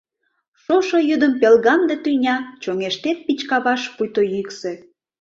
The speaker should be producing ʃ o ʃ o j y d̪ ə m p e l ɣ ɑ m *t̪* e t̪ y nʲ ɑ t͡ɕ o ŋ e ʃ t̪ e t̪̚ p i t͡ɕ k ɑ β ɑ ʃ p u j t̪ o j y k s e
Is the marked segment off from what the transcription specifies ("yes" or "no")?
yes